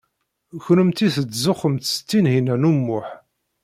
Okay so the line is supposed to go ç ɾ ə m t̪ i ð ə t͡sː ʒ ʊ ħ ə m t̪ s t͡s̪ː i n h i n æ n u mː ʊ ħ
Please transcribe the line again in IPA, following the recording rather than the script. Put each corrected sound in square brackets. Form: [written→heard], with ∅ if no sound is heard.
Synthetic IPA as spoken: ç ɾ ə m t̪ i [ð→θ] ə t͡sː [ʒ→z] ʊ [ħ→χ] ə m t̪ s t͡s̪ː i n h i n æ n u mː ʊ ħ